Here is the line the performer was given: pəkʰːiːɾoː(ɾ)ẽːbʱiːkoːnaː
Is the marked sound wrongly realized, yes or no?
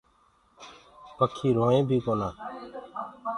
yes